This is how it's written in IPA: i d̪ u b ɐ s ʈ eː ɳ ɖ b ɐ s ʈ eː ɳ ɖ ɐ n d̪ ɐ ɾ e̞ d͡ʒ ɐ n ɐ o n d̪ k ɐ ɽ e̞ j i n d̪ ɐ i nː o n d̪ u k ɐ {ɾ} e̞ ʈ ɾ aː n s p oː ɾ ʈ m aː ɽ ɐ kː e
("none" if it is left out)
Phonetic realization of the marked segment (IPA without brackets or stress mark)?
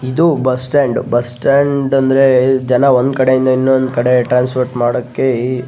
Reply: ɽ